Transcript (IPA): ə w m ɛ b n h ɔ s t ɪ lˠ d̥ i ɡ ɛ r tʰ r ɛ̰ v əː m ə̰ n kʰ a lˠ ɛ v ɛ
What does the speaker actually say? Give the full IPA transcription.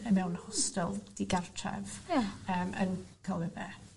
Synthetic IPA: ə m ɛ w n h ɔ s t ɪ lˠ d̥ i ɡ a r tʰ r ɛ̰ v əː m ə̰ n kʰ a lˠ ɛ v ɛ